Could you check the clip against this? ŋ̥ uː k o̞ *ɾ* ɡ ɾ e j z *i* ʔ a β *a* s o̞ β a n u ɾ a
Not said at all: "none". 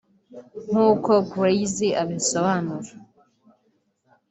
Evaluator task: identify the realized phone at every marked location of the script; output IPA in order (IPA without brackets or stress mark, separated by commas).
none, i, i